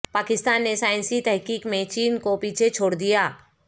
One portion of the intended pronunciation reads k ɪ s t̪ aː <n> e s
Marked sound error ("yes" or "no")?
yes